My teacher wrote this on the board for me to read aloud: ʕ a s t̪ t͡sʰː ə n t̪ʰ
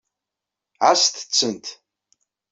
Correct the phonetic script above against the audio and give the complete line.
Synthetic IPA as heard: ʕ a s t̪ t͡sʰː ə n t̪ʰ